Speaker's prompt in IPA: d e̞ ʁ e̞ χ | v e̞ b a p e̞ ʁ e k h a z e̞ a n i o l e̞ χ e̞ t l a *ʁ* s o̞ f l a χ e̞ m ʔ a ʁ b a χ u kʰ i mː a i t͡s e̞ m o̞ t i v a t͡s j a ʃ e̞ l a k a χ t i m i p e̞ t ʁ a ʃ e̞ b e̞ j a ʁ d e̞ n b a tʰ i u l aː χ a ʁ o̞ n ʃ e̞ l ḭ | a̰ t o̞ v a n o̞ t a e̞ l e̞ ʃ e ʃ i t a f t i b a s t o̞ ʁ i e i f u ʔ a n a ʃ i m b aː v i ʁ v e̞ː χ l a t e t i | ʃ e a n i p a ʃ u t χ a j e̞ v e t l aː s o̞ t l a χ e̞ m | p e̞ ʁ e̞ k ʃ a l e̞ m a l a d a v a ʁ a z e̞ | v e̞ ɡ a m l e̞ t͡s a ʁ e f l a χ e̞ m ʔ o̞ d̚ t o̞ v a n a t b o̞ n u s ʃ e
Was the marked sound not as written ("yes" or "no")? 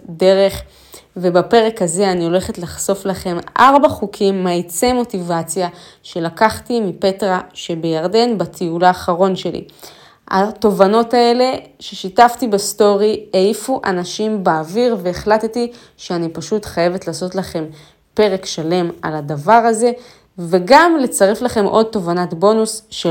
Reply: yes